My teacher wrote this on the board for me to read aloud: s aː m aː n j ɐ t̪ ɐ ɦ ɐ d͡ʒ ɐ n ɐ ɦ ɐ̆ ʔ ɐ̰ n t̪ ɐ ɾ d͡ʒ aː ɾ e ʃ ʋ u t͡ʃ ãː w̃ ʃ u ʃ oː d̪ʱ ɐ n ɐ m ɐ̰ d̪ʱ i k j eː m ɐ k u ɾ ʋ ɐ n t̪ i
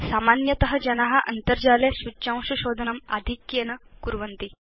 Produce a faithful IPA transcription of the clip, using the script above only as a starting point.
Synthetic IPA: s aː m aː n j ɐ t̪ ɐ ɦ ɐ d͡ʒ ɐ n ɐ ɦ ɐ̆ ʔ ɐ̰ n t̪ ɐ ɾ d͡ʒ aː l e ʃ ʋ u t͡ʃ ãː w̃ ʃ u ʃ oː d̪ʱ ɐ n ɐ m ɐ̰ d̪ʱ i k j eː n ɐ k u ɾ ʋ ɐ n t̪ i